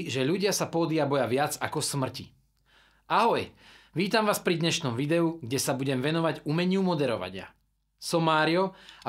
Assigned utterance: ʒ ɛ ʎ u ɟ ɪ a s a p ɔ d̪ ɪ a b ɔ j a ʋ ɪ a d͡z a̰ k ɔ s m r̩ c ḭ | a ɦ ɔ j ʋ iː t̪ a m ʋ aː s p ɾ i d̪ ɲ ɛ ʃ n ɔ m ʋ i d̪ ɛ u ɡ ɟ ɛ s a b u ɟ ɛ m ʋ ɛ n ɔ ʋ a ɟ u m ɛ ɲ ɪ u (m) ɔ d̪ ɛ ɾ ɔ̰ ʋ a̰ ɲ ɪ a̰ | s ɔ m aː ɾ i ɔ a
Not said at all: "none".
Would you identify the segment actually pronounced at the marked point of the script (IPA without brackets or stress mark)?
m